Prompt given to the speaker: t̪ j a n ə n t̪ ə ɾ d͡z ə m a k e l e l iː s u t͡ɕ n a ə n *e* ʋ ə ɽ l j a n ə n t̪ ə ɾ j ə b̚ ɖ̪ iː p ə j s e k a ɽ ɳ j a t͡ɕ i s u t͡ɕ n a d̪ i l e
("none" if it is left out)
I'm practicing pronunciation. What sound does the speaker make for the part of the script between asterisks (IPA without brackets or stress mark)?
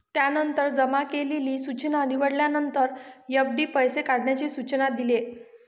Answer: i